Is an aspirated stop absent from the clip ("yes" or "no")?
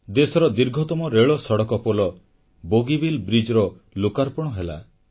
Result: yes